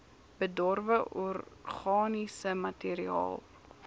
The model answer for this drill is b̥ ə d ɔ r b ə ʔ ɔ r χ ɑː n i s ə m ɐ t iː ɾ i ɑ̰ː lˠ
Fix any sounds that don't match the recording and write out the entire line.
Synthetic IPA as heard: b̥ ə d ɔ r v ə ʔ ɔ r χ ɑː n i s ə m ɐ t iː ɾ i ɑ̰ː lˠ